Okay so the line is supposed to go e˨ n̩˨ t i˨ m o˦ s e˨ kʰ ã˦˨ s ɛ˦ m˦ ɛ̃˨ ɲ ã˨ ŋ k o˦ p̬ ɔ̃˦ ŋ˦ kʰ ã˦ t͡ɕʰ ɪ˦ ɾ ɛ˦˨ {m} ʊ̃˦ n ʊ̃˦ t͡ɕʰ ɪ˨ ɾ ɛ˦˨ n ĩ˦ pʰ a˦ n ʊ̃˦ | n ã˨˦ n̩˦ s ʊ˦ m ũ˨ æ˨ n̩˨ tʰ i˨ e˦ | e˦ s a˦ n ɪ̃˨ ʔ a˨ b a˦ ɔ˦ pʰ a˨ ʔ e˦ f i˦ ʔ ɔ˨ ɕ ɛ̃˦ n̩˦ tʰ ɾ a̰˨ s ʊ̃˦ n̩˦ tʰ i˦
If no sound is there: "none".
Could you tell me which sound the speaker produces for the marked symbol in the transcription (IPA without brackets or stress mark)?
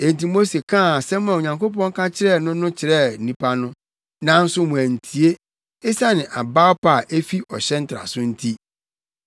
n